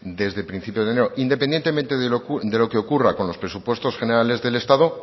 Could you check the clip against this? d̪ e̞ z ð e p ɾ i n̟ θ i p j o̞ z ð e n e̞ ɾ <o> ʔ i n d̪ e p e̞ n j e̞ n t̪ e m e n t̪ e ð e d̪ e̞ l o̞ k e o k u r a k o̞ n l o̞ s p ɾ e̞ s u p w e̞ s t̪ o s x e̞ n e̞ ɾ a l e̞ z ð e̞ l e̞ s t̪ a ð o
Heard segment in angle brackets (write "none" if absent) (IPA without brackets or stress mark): o